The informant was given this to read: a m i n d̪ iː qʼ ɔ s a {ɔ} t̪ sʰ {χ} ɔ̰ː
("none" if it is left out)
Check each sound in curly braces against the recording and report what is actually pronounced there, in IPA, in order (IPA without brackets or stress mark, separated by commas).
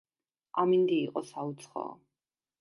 u, χ